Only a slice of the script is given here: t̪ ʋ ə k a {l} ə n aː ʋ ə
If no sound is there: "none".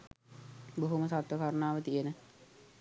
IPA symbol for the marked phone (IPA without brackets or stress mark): ɾ